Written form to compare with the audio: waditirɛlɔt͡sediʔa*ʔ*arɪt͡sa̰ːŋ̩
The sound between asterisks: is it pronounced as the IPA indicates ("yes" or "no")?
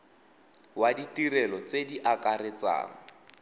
no